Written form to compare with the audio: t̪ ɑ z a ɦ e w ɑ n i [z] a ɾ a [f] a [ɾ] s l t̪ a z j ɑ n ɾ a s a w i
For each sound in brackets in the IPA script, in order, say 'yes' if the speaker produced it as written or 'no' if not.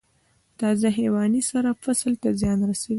no, yes, no

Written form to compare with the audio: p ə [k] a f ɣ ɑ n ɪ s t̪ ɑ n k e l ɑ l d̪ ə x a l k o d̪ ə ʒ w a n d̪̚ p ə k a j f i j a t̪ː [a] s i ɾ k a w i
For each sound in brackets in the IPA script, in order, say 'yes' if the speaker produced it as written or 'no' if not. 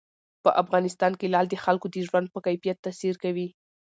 no, yes

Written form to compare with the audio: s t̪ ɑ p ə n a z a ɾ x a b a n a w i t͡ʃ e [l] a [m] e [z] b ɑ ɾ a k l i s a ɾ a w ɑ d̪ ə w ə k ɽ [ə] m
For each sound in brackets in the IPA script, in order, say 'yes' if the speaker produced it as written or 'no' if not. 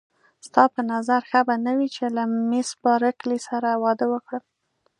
yes, yes, no, yes

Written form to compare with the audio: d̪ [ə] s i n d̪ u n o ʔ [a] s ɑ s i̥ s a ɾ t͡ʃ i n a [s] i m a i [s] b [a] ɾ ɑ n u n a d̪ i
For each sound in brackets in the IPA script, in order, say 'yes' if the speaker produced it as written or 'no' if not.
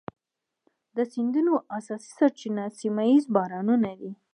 yes, yes, yes, no, no

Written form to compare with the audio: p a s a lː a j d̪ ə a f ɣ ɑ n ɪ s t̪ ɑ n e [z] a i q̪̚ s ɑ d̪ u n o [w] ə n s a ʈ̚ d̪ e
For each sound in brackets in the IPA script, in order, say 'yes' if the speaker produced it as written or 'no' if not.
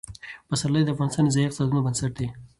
yes, no

